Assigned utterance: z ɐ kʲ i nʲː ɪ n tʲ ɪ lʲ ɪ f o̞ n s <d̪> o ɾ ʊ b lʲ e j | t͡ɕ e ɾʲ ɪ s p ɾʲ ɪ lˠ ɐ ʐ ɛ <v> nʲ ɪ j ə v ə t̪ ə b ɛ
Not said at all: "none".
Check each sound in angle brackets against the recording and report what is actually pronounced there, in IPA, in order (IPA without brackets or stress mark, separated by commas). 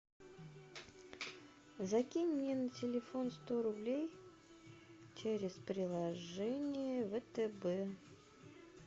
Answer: t̪, none